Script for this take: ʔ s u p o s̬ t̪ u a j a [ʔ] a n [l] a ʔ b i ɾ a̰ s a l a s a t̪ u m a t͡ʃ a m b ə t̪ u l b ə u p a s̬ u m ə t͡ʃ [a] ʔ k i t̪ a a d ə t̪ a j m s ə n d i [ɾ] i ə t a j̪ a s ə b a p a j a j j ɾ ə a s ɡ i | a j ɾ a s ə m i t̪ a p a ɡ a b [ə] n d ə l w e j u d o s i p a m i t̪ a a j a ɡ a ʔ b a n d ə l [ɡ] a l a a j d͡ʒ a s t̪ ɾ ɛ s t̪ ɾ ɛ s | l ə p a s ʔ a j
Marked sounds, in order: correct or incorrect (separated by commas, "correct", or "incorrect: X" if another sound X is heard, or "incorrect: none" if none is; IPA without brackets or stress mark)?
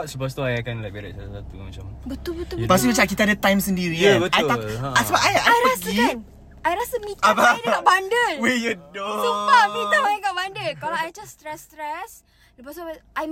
incorrect: k, correct, correct, correct, incorrect: a, incorrect: k